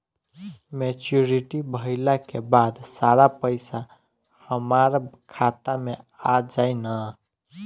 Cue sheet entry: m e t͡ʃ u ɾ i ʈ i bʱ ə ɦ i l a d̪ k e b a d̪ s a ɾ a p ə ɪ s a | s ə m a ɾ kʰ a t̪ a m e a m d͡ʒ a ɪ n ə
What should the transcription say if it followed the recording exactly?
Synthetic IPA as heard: m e t͡ʃ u ɾ i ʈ i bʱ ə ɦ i l a k e b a d̪ s a ɾ a p ə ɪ s a | h ə m a ɾ kʰ a t̪ a m e a d͡ʒ a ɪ n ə